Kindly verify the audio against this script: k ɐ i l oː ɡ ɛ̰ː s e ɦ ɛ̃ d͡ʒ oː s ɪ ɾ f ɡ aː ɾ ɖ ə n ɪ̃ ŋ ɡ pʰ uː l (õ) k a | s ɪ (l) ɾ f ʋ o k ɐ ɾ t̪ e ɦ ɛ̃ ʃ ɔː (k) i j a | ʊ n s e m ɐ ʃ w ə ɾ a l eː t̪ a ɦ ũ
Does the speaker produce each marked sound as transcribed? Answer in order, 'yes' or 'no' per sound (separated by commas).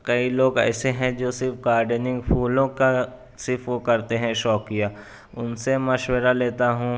yes, no, yes